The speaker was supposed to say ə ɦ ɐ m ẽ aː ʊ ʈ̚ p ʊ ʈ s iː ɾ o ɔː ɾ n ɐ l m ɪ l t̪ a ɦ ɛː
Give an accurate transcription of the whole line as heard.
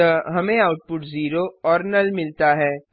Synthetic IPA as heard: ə ɦ ɐ m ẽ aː ʊ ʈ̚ p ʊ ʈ z iː ɾ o ɔː ɾ n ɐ l m ɪ l t̪ a ɦ ɛː